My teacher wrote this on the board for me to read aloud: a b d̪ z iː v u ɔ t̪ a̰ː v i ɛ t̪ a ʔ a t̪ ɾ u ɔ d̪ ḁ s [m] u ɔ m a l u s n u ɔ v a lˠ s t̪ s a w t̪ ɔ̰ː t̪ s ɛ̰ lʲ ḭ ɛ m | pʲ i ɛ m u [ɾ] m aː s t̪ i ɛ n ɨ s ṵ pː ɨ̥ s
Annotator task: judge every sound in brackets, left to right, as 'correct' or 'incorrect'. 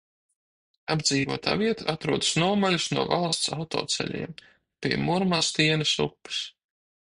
incorrect: n, correct

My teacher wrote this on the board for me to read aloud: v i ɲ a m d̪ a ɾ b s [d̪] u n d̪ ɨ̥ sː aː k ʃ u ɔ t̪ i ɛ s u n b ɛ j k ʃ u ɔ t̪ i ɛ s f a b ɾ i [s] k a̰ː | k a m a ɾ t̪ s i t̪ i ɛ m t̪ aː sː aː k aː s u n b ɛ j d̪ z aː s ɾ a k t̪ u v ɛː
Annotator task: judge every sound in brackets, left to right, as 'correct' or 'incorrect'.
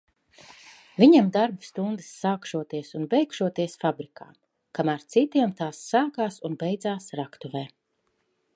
incorrect: t̪, incorrect: none

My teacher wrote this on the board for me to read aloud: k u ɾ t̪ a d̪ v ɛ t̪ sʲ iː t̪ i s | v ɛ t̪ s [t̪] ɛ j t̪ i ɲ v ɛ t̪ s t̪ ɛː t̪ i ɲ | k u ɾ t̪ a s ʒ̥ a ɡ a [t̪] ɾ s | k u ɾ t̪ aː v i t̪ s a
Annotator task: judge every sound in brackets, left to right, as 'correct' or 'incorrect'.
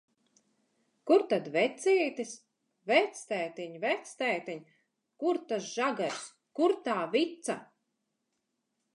correct, incorrect: none

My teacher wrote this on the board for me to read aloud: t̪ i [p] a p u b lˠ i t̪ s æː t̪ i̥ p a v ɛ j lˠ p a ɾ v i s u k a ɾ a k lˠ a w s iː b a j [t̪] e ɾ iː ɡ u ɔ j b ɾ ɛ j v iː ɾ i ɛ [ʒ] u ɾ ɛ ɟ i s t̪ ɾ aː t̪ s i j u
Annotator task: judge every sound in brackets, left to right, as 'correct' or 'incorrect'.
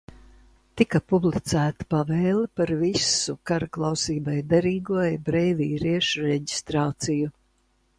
incorrect: k, incorrect: d̪, incorrect: ʃ

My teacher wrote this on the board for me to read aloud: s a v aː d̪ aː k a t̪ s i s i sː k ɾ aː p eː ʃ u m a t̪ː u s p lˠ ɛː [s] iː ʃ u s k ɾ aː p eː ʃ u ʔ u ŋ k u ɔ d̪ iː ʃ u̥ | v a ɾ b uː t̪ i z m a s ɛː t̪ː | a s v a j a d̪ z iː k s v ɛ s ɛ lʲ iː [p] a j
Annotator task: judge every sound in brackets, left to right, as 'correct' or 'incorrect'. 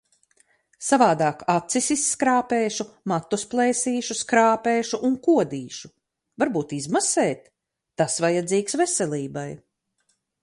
correct, incorrect: b

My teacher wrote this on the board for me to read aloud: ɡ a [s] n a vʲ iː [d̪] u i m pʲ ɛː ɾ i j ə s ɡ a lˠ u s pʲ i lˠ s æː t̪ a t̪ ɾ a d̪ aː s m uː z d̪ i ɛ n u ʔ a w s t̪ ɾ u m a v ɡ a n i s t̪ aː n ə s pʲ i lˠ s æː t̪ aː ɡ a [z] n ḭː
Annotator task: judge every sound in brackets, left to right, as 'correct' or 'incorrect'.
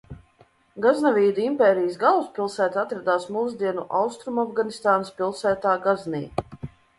incorrect: z, correct, correct

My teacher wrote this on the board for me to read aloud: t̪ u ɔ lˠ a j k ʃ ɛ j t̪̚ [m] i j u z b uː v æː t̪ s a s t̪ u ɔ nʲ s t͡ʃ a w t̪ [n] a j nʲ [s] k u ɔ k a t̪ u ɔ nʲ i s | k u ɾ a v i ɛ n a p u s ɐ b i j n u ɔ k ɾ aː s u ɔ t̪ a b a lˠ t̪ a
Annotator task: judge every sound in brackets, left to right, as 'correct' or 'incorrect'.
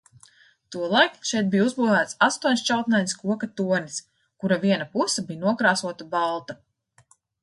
incorrect: b, correct, correct

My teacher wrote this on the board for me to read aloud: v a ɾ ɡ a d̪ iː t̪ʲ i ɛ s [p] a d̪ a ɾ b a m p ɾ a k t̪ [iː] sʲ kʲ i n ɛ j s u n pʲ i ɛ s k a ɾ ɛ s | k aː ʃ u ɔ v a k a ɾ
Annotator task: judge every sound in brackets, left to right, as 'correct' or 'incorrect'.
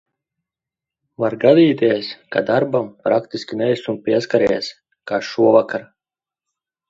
incorrect: k, incorrect: i

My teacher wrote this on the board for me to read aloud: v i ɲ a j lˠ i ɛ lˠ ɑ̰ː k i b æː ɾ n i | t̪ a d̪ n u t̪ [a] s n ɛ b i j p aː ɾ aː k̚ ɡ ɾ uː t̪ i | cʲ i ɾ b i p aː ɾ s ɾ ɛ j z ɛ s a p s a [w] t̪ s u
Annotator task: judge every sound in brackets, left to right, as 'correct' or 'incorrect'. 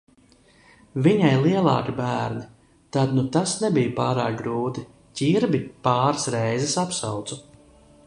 correct, correct

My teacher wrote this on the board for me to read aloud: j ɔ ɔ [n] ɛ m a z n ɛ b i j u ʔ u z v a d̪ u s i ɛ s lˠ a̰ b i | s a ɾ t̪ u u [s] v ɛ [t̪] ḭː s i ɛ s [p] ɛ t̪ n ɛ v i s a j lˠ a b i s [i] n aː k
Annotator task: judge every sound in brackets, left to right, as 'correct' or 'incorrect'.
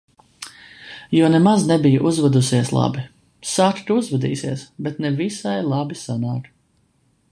correct, incorrect: z, incorrect: d̪, incorrect: b, incorrect: a

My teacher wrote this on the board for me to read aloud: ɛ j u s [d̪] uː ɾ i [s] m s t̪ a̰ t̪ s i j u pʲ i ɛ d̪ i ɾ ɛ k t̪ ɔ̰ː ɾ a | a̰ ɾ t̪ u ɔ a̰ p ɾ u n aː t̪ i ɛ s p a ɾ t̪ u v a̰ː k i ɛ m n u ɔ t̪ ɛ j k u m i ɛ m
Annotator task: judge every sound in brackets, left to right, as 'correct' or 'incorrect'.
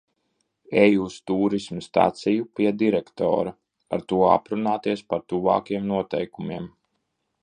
incorrect: t̪, correct

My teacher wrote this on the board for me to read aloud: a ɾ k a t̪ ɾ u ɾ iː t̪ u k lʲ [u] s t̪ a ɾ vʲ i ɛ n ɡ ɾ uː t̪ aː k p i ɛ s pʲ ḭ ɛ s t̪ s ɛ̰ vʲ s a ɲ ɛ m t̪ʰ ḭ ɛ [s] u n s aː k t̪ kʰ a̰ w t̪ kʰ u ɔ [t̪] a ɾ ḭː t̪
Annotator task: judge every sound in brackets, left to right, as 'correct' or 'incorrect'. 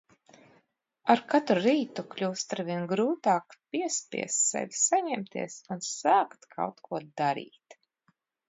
incorrect: uː, correct, incorrect: d̪

